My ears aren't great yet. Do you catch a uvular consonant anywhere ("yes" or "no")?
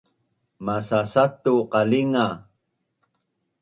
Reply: yes